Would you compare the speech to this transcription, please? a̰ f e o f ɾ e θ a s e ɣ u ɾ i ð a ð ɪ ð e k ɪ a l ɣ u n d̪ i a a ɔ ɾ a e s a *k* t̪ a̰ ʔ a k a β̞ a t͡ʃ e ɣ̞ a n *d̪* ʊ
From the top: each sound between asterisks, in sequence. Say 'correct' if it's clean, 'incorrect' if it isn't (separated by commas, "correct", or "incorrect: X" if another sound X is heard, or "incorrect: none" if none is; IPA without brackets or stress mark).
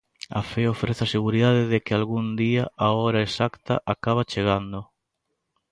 correct, correct